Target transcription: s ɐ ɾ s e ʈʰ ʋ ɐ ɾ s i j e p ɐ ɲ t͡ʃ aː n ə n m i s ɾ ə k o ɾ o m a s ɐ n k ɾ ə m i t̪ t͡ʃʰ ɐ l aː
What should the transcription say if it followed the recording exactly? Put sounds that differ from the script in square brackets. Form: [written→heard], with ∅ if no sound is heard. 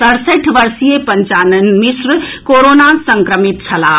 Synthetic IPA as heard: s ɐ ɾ s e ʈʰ ʋ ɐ ɾ s i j e p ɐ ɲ t͡ʃ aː n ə n m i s ɾ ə k o ɾ o [m→n] a s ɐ [n→ŋ] k ɾ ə m i t̪ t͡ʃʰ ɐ l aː